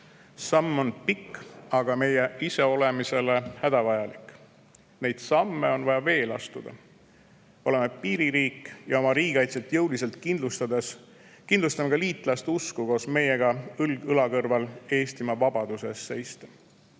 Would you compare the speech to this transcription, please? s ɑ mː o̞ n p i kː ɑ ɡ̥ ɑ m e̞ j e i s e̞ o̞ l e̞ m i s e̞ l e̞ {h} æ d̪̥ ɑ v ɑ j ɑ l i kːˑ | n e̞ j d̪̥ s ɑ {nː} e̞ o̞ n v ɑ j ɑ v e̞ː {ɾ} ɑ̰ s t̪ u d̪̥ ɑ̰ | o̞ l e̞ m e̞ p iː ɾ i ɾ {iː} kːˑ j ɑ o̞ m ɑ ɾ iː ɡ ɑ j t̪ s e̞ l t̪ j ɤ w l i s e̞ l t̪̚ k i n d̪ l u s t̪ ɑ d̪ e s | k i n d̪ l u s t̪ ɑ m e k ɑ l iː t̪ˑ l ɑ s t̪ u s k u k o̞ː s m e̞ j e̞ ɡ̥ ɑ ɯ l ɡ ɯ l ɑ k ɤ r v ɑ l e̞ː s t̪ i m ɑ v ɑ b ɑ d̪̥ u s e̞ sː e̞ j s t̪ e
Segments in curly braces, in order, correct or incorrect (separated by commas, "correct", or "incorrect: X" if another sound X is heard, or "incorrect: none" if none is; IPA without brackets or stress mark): correct, incorrect: mː, incorrect: l, correct